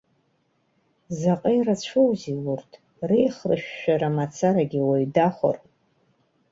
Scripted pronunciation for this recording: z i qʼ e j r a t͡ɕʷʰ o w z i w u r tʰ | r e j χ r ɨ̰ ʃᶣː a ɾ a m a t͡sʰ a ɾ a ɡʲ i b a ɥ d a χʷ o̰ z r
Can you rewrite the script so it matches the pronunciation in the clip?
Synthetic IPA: z a qʼ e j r a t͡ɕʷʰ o w z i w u r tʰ | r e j χ r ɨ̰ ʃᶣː a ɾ a m a t͡sʰ a ɾ a ɡʲ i w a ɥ d a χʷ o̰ r